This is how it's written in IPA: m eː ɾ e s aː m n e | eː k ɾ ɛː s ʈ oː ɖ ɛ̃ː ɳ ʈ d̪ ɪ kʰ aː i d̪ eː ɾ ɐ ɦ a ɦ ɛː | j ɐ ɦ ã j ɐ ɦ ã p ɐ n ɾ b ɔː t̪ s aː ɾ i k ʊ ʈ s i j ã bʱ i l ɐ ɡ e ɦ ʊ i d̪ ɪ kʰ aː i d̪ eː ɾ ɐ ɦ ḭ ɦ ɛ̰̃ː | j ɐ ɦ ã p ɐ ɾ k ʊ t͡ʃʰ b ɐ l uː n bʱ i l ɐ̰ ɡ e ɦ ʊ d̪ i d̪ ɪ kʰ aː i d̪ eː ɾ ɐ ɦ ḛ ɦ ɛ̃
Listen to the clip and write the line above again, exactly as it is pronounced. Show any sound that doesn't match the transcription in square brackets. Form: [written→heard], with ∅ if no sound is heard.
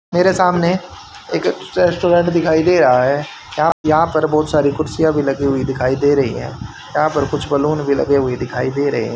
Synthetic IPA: m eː ɾ e s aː m n e | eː k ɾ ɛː s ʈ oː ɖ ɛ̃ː ɳ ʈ d̪ ɪ kʰ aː i d̪ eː ɾ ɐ ɦ a ɦ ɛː | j ɐ ɦ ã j ɐ ɦ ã p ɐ [n→∅] ɾ b ɔː t̪ s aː ɾ i k ʊ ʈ s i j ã bʱ i l ɐ ɡ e ɦ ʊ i d̪ ɪ kʰ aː i d̪ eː ɾ ɐ ɦ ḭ ɦ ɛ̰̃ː | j ɐ ɦ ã p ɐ ɾ k ʊ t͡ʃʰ b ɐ l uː n bʱ i l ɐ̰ ɡ e ɦ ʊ [d̪→∅] i d̪ ɪ kʰ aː i d̪ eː ɾ ɐ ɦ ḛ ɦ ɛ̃